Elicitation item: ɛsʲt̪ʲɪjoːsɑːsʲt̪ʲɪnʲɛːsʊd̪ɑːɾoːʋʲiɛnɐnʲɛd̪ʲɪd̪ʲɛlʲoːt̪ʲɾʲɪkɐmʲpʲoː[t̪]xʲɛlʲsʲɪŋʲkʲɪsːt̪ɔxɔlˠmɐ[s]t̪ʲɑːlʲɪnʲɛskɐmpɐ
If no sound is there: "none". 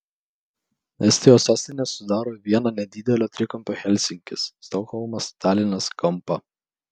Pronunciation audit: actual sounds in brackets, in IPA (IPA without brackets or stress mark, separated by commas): none, s